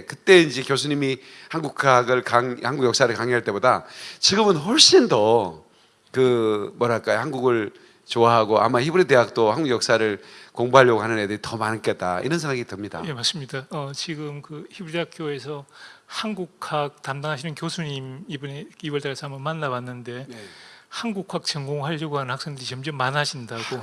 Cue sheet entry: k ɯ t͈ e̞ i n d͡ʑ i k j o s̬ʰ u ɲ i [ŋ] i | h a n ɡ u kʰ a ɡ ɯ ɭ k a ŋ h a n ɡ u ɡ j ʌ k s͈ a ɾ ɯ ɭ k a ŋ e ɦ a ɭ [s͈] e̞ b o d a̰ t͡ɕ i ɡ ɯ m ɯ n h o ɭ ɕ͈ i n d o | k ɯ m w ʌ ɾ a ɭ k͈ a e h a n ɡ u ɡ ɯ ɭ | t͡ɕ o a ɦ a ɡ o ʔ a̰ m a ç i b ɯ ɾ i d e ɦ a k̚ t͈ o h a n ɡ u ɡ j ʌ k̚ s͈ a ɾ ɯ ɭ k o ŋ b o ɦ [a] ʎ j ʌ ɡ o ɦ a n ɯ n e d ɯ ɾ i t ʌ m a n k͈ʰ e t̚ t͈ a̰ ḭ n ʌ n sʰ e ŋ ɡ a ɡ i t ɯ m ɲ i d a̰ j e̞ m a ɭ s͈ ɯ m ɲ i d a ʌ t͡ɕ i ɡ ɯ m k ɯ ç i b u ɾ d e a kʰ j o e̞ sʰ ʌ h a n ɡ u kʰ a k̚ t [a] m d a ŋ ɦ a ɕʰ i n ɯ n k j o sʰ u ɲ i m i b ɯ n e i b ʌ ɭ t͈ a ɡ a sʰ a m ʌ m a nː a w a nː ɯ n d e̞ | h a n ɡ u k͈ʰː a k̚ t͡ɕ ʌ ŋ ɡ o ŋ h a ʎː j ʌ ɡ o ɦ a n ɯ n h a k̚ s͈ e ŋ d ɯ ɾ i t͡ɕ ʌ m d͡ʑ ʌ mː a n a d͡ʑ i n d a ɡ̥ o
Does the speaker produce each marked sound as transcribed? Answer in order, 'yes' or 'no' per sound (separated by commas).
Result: no, no, yes, yes